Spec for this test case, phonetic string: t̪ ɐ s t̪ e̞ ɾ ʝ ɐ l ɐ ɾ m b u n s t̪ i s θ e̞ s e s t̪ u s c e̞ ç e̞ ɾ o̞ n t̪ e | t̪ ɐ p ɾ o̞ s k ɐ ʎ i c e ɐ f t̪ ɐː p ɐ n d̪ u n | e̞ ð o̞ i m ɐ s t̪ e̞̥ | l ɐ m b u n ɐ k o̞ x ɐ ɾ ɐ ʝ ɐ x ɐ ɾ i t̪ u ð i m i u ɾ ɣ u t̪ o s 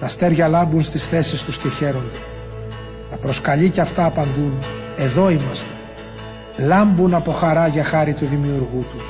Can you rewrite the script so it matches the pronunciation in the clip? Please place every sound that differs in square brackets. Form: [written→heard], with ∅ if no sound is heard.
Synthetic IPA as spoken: t̪ ɐ s t̪ e̞ ɾ ʝ ɐ l ɐ [ɾ→∅] m b u n s t̪ i s θ e̞ s [e→i] s t̪ u s c e̞ ç e̞ ɾ o̞ n [t̪→d̪] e | t̪ ɐ p ɾ o̞ s k ɐ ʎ i c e ɐ f t̪ ɐː p ɐ n d̪ u n | e̞ ð o̞ i m ɐ s t̪ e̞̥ | l ɐ m b u n ɐ [k→p] o̞ x ɐ ɾ ɐ ʝ ɐ x ɐ ɾ i t̪ u ð i m i u ɾ ɣ u t̪ [o→u] s